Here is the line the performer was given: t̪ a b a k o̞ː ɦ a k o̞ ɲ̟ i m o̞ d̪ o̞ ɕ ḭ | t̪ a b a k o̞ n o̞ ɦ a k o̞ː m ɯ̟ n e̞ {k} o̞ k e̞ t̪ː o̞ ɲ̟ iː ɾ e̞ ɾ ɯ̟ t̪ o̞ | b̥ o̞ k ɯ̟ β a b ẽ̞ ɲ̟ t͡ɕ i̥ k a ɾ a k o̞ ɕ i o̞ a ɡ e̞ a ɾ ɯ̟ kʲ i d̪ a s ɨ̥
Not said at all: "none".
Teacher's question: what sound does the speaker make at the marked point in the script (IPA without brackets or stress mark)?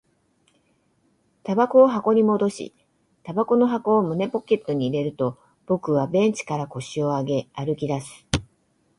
p